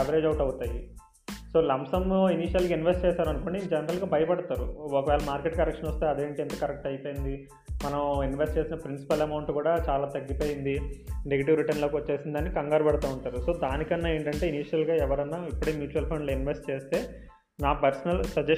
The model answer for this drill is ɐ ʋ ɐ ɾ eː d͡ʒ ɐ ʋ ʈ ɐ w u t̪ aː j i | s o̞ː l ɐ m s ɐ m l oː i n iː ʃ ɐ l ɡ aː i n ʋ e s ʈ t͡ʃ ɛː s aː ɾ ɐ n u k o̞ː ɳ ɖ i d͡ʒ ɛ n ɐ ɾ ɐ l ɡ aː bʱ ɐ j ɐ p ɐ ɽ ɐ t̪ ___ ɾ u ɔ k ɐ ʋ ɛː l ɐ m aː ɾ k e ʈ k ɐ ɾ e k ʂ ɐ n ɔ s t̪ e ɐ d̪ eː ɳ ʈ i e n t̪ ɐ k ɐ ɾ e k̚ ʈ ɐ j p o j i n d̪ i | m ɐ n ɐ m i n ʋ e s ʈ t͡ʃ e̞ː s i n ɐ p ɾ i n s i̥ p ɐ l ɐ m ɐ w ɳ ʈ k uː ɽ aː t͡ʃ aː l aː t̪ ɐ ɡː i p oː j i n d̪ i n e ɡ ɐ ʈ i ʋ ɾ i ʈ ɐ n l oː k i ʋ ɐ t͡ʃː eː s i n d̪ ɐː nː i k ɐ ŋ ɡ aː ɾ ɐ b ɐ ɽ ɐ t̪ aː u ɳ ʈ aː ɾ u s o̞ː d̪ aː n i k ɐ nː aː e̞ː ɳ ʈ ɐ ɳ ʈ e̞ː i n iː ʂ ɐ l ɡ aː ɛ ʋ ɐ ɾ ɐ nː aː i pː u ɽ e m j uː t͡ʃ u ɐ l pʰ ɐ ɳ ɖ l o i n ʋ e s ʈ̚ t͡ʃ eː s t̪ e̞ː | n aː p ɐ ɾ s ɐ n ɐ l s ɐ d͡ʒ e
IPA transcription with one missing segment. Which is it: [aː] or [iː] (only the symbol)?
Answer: aː